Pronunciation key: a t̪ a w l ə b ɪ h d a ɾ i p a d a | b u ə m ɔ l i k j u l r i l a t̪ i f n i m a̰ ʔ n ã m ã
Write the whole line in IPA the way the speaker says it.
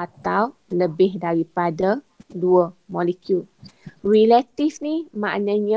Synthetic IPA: a t̪ a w l ə b ɪ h d a ɾ i p a d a | d u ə m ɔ l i k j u l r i l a t̪ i f n i m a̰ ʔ n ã ɲ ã